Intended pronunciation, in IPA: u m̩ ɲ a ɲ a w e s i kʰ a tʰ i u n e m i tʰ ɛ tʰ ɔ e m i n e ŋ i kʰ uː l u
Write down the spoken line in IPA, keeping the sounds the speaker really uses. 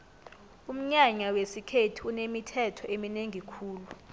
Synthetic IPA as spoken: u m̩ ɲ a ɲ a w e s i kʰ e tʰ i u n e m i tʰ ɛ tʰ ɔ e m i n e ŋ i kʰ uː l u